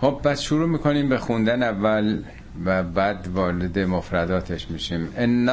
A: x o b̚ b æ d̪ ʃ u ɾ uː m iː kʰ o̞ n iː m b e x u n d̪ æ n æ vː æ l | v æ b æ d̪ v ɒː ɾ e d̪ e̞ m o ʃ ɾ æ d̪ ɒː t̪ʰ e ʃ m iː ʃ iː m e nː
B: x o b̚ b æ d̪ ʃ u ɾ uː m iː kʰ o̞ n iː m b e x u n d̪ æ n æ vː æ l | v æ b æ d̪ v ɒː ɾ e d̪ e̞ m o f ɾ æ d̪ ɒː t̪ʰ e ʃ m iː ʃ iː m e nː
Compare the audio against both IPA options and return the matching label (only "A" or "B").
B